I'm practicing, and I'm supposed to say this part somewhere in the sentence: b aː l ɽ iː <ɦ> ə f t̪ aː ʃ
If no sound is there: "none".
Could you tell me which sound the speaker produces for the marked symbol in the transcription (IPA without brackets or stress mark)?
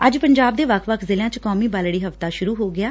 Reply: ɦ